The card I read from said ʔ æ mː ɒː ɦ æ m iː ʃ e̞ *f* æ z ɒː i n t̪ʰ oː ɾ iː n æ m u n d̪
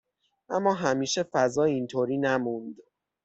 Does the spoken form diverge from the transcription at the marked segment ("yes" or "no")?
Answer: no